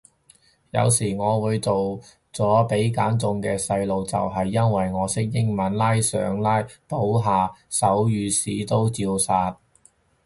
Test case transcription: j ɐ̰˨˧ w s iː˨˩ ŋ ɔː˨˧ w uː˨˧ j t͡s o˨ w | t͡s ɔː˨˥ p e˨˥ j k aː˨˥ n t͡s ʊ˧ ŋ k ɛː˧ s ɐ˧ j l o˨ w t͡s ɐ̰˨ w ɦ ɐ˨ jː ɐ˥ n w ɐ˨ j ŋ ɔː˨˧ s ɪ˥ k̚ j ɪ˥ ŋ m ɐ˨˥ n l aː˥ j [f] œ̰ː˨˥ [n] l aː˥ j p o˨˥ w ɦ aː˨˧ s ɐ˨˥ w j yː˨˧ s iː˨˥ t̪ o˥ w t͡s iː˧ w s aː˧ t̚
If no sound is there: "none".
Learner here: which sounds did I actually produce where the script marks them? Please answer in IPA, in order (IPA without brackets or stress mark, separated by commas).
s, ŋ